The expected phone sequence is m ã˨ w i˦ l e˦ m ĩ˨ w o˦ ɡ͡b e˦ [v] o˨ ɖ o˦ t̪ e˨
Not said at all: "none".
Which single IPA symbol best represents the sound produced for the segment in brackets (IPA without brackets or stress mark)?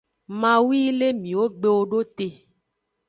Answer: w